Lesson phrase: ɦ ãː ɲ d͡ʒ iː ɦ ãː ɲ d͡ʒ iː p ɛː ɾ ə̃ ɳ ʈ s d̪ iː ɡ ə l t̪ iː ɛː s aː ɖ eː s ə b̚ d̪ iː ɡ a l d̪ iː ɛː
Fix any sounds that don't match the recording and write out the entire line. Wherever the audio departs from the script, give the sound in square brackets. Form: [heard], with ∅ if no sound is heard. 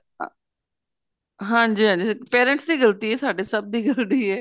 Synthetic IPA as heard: ɦ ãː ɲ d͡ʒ iː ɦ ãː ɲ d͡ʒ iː p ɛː ɾ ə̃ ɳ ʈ s d̪ iː ɡ ə l t̪ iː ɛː s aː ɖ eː s ə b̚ d̪ iː ɡ [ə] l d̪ iː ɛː